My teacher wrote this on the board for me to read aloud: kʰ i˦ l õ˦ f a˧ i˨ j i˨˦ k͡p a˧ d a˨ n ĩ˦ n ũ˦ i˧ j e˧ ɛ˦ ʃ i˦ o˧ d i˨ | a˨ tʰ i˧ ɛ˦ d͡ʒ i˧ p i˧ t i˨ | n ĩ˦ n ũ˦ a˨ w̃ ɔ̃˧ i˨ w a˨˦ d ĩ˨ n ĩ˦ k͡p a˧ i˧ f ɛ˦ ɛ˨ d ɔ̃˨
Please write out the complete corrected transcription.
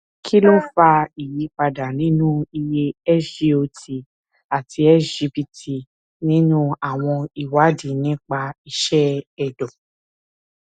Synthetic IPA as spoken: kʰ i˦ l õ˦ f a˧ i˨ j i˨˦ k͡p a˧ d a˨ n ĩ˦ n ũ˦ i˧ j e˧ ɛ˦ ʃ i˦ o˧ t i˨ | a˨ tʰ i˧ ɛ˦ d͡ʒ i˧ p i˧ t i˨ | n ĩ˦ n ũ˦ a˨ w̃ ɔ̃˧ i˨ w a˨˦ d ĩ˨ n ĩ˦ k͡p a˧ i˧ ʃ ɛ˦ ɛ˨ d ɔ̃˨